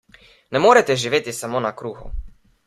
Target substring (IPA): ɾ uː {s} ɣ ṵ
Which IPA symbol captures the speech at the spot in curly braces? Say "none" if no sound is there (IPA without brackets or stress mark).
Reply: none